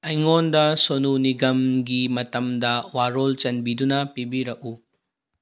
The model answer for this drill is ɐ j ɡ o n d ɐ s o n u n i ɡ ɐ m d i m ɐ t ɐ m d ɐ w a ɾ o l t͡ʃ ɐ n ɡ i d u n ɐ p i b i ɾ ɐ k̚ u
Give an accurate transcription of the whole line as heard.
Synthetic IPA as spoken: ɐ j ŋ o n d ɐ s o n u n i ɡ ɐ m ɡ i m ɐ t ɐ m d ɐ w a ɾ o l t͡ʃ ɐ n b i d u n ɐ p i b i ɾ ɐ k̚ u